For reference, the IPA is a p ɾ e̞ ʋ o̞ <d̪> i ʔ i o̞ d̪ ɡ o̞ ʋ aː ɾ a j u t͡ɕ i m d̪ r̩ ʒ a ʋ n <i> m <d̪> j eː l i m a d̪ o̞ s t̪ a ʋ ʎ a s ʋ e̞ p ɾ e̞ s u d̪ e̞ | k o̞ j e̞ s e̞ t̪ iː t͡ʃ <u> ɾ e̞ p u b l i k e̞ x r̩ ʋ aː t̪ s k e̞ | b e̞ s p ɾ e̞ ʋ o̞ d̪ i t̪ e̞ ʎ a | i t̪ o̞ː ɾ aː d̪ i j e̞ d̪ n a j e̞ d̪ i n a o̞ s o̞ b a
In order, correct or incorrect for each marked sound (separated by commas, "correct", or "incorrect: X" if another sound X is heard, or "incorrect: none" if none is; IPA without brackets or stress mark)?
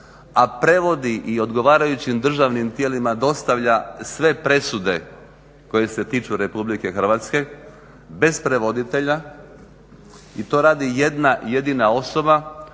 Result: correct, correct, incorrect: t̪, correct